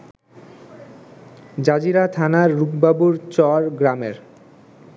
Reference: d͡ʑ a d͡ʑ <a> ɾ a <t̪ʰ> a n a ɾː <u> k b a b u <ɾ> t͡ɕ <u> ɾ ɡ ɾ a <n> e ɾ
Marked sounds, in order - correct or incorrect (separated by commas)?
incorrect, correct, correct, correct, incorrect, incorrect